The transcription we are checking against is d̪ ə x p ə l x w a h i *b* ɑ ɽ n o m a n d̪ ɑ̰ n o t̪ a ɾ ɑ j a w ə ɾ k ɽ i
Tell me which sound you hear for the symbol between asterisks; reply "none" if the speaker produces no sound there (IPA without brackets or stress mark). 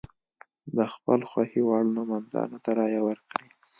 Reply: w